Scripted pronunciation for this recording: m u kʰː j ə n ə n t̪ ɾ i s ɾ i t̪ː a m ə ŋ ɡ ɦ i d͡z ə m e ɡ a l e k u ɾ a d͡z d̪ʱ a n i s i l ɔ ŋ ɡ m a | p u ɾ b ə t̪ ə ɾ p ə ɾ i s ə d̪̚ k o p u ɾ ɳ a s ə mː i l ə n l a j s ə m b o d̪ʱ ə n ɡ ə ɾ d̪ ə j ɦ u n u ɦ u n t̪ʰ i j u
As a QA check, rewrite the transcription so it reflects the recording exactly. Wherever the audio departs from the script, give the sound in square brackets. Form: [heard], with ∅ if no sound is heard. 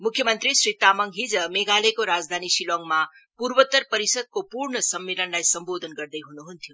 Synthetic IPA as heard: m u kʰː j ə [m] ə n t̪ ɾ i s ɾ i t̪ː a m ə ŋ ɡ ɦ i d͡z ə m e ɡ a l e k [o] ɾ a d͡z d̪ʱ a n i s i l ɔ ŋ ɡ m a | p u ɾ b ə t̪ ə ɾ p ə ɾ i s ə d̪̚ k o p u ɾ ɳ [ə] s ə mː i l ə n l a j s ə m b o d̪ʱ ə n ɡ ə ɾ d̪ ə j ɦ u n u ɦ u n t̪ʰ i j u